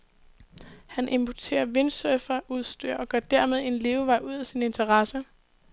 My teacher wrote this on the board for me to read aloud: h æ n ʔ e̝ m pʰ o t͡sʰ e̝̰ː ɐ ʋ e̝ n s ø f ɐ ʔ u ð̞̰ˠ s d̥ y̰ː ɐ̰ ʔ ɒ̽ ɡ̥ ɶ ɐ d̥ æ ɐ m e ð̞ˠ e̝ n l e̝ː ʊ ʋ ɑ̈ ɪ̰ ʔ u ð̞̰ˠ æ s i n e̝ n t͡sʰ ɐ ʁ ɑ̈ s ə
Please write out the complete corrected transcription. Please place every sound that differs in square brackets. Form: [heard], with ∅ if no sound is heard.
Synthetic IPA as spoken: h æ n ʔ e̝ m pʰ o t͡sʰ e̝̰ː ɐ ʋ e̝ n s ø f ɐ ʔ u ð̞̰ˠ s d̥ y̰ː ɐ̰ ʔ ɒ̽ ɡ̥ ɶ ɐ d̥ æ ɐ m e ð̞ˠ e̝ n l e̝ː ʊ ʋ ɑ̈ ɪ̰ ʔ u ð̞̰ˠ æ s i n e̝ n t͡sʰ ɐ ʁ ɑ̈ s ə